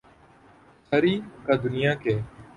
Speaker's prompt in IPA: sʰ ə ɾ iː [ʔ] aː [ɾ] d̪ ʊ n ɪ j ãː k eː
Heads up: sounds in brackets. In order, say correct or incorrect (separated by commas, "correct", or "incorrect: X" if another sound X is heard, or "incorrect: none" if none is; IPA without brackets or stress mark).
incorrect: k, incorrect: none